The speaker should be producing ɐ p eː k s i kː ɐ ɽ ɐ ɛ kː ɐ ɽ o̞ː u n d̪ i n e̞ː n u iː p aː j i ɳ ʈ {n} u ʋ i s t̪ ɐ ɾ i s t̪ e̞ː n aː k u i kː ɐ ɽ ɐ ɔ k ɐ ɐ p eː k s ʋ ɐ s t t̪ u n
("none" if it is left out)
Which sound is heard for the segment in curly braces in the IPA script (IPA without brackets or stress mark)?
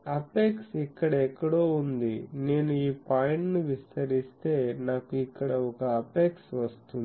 n